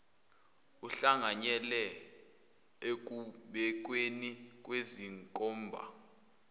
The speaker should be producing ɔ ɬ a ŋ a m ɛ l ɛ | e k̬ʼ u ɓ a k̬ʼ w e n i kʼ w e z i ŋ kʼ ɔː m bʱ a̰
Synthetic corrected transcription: u ɬ a ŋ a ɲ ɛ l ɛ | e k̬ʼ u ɓ ɛ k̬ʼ w e n i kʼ w e z i ŋ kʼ ɔː m bʱ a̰